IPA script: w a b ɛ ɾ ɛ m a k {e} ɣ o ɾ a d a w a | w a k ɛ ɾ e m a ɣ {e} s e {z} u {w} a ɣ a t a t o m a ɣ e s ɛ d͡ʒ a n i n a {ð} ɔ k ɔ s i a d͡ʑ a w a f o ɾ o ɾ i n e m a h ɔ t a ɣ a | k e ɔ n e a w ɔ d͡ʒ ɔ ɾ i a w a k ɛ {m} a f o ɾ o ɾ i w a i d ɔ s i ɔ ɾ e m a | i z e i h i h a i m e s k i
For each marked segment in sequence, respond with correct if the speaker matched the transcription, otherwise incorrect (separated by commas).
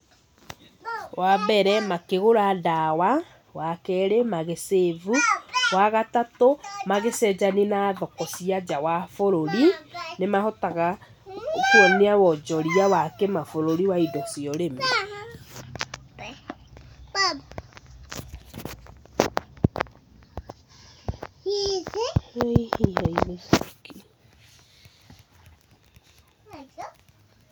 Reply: correct, correct, incorrect, correct, correct, correct